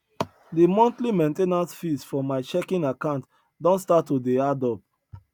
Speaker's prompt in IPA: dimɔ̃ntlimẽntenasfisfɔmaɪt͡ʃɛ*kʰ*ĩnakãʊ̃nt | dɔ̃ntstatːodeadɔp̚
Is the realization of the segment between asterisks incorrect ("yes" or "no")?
yes